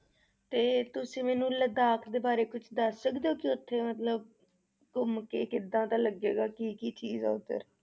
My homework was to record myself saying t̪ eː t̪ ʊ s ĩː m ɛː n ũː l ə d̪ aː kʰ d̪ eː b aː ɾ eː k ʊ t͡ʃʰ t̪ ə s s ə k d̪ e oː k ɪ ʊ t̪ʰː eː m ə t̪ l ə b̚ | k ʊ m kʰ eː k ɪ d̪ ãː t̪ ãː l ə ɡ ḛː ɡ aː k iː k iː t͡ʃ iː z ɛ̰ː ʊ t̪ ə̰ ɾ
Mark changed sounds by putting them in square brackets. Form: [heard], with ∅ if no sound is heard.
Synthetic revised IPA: t̪ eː t̪ ʊ s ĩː m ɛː n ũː l ə d̪ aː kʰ d̪ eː b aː ɾ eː k ʊ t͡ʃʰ [d̪] ə s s ə k d̪ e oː k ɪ ʊ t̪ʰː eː m ə t̪ l ə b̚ | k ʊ m [k] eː k ɪ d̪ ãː t̪ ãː l ə ɡ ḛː ɡ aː k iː k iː t͡ʃ iː z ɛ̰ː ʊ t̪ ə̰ ɾ